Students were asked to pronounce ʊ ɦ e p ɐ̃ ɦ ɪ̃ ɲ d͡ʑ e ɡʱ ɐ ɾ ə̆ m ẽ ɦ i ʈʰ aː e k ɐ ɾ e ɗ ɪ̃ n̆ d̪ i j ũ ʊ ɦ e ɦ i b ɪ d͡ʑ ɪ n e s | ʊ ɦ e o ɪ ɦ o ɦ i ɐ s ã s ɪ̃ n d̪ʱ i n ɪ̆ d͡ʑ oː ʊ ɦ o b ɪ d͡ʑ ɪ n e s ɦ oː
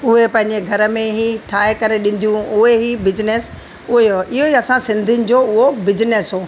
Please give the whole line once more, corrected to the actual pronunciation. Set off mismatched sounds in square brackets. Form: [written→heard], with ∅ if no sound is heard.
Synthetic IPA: ʊ ɦ e p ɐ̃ ɦ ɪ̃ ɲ d͡ʑ e ɡʱ ɐ ɾ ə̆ m ẽ ɦ i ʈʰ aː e k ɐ ɾ e ɗ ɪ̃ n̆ d̪ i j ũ ʊ ɦ e ɦ i b ɪ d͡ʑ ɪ n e s | ʊ ɦ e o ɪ ɦ o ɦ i ɐ s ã s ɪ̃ n d̪ʱ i n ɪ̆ d͡ʑ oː ʊ ɦ o b ɪ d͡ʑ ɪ n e s ɦ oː